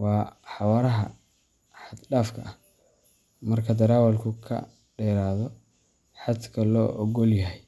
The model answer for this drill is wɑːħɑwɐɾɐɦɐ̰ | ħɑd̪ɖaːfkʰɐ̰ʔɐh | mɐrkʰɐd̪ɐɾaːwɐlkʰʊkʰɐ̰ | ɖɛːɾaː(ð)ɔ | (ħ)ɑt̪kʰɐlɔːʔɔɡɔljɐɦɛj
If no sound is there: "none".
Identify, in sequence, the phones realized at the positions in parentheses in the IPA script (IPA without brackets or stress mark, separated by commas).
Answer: ð, ħ